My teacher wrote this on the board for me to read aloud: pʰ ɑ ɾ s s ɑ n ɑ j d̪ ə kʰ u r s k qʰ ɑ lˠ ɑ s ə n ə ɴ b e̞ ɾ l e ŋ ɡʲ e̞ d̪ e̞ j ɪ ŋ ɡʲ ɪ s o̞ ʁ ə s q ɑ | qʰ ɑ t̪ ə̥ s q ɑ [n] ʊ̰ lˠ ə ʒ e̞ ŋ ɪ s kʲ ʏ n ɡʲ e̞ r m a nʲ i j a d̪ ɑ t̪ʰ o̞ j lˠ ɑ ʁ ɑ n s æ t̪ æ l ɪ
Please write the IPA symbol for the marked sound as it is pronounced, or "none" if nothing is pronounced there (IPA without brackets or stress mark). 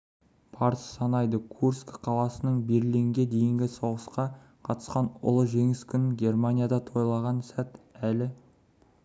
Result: n